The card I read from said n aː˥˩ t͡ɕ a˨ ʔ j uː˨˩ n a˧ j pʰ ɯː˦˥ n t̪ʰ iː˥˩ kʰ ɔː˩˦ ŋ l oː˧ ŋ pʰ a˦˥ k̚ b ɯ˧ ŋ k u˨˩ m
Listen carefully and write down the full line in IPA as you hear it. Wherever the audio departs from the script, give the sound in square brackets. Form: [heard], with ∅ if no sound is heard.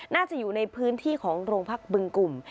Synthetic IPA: n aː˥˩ t͡ɕ a˨ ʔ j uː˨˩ n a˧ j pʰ ɯː˦˥ n t̪ʰ iː˥˩ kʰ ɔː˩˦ ŋ [ɾ] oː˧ ŋ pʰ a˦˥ k̚ b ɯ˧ ŋ k u˨˩ m